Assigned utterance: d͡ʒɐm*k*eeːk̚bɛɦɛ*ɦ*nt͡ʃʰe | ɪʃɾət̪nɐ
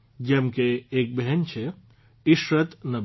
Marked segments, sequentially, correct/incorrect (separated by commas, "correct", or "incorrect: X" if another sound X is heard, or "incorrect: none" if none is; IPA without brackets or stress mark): correct, incorrect: none